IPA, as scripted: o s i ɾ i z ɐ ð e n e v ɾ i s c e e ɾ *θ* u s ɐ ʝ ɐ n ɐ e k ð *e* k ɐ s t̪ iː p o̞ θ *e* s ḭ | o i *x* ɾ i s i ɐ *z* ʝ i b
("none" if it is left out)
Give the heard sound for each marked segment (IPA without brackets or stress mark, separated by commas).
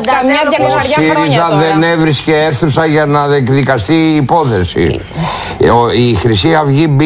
θ, i, e, x, v